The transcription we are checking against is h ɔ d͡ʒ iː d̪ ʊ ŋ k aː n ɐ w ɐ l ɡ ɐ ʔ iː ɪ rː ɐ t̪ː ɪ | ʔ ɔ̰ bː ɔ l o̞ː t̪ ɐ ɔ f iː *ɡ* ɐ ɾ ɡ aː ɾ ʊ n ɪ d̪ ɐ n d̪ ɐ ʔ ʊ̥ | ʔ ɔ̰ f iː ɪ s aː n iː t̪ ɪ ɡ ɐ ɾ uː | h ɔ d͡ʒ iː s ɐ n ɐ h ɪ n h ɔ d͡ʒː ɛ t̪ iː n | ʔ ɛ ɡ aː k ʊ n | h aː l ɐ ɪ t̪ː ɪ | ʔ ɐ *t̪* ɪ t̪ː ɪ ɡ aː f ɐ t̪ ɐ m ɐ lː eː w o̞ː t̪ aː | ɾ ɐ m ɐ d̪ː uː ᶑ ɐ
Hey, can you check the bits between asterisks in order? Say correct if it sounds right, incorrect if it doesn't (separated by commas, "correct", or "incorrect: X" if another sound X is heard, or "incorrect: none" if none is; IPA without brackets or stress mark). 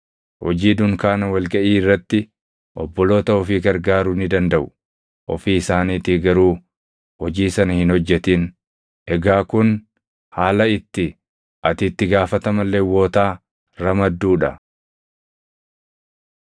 correct, correct